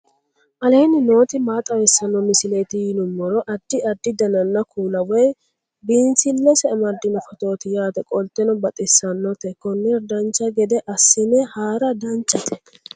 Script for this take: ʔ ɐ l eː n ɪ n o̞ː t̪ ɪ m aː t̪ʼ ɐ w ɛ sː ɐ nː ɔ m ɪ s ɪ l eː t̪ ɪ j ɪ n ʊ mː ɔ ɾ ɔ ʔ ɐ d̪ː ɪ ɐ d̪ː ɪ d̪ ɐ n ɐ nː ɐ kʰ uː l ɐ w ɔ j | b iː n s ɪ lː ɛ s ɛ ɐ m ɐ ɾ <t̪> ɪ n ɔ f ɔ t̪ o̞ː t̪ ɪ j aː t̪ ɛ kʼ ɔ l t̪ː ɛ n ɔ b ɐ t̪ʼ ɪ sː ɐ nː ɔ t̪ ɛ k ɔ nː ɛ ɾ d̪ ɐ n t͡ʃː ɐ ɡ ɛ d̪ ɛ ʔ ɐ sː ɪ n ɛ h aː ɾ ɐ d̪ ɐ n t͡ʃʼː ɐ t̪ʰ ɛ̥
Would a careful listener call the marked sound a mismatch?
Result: yes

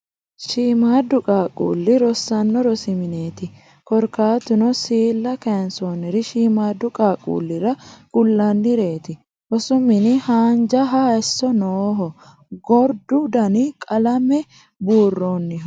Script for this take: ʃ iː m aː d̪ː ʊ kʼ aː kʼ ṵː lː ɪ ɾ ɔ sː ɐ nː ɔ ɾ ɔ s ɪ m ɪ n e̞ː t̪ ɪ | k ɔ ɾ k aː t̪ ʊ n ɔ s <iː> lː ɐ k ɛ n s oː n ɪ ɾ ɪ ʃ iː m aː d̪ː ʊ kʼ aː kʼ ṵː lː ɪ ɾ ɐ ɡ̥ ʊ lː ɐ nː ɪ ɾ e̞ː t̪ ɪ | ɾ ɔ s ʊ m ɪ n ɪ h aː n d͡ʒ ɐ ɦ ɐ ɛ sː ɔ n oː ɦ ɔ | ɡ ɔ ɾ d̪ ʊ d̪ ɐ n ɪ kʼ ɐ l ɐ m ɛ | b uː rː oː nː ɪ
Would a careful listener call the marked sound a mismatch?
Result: no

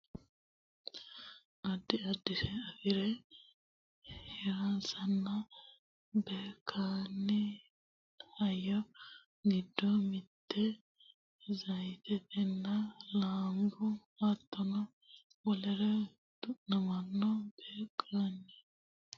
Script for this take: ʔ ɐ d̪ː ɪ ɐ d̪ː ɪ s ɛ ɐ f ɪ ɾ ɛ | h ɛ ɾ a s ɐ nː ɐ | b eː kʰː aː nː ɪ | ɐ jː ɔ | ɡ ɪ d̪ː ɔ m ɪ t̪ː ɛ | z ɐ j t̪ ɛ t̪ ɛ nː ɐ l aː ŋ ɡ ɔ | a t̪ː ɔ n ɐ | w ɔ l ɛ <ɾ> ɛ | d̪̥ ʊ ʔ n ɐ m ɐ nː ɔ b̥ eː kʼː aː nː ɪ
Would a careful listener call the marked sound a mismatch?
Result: no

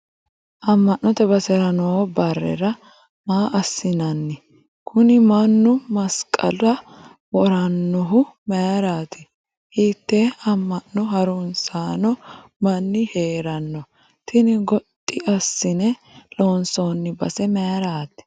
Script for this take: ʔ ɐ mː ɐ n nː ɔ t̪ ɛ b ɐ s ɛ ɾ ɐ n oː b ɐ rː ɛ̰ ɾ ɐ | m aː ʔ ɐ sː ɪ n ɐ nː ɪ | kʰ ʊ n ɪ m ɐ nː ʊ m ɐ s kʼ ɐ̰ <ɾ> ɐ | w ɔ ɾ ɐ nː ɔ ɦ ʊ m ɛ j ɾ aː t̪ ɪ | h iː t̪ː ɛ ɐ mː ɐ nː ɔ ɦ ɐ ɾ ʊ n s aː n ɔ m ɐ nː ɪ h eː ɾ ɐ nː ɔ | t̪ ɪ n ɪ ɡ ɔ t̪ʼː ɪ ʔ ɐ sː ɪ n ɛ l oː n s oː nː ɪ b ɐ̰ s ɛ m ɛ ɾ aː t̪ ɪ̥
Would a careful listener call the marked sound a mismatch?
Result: yes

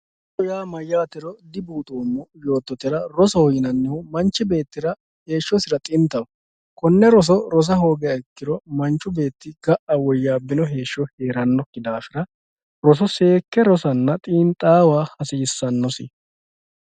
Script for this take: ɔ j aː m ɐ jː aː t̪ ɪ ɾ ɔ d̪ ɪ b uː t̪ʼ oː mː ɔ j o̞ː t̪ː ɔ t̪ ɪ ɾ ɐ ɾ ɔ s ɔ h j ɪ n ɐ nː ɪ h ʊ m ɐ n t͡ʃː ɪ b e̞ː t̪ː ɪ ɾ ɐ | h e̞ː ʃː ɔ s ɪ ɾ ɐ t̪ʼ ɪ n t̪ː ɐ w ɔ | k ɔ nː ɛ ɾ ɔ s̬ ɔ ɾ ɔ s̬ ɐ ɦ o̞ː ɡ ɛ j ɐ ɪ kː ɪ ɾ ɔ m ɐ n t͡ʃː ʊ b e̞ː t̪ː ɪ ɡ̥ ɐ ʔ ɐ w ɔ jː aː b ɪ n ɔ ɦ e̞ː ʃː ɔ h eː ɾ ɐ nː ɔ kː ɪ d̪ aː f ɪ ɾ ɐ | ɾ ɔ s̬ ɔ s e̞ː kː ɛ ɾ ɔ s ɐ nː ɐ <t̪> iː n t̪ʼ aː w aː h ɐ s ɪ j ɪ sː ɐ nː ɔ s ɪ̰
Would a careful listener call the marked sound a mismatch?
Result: yes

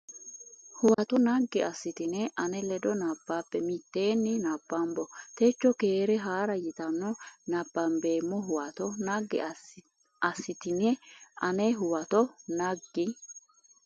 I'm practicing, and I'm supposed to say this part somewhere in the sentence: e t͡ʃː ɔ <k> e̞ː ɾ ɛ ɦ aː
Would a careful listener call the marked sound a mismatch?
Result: no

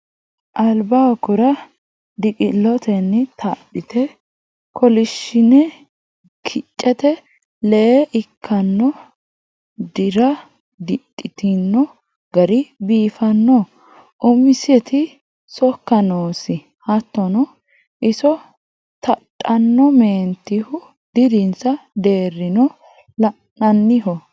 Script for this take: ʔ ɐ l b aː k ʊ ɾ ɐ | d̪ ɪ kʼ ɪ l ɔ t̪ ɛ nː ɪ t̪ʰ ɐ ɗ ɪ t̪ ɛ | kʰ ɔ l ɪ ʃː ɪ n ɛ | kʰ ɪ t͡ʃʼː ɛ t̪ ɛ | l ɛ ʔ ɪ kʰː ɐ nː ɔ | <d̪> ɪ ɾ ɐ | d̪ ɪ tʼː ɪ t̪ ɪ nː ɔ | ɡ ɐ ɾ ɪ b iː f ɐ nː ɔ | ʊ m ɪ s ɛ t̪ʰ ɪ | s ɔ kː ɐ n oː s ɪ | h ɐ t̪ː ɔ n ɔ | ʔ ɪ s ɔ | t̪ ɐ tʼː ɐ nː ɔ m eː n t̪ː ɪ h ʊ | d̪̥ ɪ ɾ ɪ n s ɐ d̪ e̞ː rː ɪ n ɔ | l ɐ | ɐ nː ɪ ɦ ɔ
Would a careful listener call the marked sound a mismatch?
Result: no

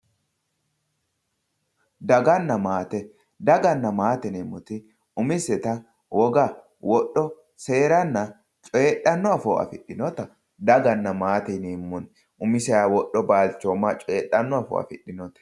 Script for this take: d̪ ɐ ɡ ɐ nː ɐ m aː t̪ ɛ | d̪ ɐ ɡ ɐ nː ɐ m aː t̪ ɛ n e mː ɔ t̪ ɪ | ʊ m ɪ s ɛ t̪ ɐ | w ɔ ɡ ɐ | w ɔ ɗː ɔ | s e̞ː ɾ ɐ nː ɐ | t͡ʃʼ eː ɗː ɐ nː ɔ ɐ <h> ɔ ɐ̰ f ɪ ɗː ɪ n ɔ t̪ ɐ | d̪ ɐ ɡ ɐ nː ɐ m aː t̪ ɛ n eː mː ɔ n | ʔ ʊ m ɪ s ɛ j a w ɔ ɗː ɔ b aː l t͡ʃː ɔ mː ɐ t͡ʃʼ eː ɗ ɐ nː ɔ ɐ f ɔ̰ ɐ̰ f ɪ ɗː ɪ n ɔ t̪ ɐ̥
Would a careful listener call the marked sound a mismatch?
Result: yes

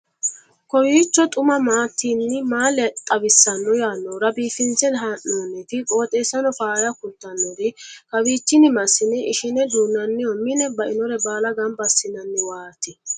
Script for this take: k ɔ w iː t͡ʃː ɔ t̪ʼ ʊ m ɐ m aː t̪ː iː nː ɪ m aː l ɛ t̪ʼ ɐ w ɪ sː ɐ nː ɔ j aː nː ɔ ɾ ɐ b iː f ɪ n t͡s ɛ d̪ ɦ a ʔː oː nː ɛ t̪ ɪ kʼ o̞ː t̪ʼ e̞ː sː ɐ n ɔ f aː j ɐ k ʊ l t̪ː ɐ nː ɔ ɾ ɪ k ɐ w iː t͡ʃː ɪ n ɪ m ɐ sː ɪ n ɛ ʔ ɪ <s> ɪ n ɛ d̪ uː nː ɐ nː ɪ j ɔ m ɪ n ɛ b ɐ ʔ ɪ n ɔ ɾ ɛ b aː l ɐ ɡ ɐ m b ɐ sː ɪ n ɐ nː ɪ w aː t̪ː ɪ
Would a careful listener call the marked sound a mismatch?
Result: yes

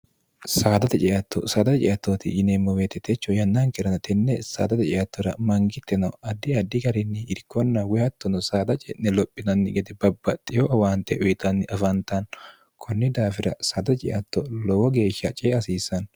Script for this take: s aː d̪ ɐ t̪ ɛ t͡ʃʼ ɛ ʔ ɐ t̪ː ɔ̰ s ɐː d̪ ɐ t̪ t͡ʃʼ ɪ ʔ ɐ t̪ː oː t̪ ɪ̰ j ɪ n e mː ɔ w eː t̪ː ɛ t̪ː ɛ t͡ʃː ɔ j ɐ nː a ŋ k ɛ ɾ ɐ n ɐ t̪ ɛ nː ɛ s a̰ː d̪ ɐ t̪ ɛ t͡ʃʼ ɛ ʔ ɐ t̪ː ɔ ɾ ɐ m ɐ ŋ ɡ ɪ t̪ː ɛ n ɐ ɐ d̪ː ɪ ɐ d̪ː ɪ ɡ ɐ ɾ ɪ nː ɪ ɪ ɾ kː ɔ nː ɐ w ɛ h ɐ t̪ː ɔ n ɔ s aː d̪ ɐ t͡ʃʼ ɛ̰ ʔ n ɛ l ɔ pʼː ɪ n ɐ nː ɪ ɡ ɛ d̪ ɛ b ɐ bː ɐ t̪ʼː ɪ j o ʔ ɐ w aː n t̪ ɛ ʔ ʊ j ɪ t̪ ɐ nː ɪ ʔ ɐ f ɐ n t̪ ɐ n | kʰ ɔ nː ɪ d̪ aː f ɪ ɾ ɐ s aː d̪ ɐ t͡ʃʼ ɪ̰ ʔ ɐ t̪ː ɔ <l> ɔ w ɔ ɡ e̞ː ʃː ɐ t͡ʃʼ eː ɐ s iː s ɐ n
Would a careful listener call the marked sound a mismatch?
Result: no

